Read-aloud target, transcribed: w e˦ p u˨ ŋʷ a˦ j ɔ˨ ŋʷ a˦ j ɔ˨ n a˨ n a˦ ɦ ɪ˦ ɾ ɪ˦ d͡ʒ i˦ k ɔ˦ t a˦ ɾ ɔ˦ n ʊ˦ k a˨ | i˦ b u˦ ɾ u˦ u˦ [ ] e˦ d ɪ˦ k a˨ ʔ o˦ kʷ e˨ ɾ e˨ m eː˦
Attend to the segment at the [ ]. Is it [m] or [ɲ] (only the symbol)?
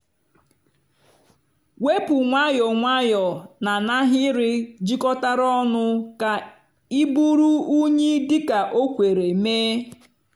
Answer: ɲ